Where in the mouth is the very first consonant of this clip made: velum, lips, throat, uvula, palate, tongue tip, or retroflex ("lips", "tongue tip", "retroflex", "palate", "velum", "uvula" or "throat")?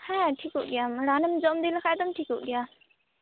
throat